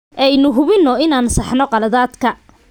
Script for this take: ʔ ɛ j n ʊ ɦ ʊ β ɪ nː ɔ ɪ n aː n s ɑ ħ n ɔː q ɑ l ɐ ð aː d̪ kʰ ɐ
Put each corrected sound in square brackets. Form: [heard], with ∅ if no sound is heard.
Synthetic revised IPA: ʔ ɛ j n ʊ ɦ ʊ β ɪ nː ɔ ɪ n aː n s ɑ ħ n [ɔ] q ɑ l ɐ ð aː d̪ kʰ ɐ